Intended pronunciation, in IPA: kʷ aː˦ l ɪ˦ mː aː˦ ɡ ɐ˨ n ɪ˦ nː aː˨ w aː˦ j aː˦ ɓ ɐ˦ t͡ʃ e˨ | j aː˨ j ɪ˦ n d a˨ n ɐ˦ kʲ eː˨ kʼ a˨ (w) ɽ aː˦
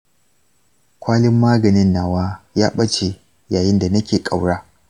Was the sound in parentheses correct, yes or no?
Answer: yes